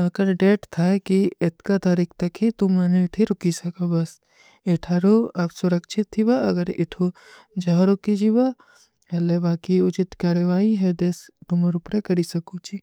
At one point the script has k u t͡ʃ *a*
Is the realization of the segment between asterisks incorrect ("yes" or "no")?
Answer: yes